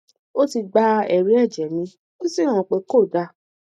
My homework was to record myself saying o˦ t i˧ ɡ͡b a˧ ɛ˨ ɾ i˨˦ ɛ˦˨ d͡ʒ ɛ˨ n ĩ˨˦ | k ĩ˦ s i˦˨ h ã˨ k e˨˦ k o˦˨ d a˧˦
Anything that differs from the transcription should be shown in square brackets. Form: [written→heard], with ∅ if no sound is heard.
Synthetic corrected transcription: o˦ t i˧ ɡ͡b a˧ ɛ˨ ɾ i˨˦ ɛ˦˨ d͡ʒ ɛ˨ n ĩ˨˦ | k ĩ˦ s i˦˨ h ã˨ [k→k͡p] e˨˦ k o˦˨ d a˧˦